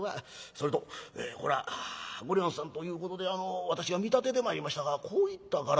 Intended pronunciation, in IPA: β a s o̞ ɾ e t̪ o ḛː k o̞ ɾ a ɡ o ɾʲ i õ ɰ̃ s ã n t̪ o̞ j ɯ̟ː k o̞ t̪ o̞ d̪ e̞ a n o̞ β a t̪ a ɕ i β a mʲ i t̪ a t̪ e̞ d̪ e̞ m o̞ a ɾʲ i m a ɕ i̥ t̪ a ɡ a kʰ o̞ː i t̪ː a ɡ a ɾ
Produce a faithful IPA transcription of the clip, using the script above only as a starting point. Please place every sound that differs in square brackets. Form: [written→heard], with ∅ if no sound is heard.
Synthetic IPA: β a s o̞ ɾ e t̪ o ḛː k o̞ ɾ a ɡ o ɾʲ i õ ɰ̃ s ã n t̪ o̞ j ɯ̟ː k o̞ t̪ o̞ d̪ e̞ a n o̞ β a t̪ a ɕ i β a mʲ i t̪ a t̪ e̞ d̪ e̞ m o̞ a ɾʲ i m a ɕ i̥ t̪ a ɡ a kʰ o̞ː i t̪ː a ɡ a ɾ